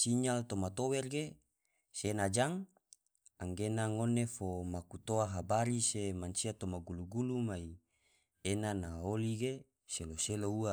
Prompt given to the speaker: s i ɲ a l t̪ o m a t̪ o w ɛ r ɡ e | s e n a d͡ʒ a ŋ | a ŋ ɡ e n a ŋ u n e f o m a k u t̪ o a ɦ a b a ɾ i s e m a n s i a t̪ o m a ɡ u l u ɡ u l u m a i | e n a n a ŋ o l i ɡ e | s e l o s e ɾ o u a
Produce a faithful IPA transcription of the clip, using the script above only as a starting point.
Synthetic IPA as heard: s i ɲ a l t̪ o m a t̪ o w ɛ r ɡ e | s e n a d͡ʒ a ŋ | a ŋ ɡ e n a ŋ o n e f o m a k u t̪ o a ɦ a b a ɾ i s e m a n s i a t̪ o m a ɡ u l u ɡ u l u m a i | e n a n a o l i ɡ e | s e l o s e l o u a